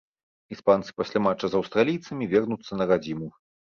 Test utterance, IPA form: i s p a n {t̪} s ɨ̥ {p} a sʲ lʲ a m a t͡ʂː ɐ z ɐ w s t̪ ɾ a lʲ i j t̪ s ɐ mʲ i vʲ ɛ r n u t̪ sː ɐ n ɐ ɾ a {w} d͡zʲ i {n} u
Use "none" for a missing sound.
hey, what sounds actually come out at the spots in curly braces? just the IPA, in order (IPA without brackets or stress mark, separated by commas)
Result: t̪, p, none, m